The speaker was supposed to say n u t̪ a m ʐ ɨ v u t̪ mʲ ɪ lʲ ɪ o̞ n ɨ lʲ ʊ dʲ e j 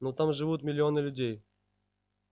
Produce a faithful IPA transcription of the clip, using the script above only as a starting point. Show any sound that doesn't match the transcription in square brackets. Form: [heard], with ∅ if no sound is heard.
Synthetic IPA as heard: n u t̪ a m ʐ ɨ v u t̪ mʲ ɪ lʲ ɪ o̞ n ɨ lʲ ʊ dʲ e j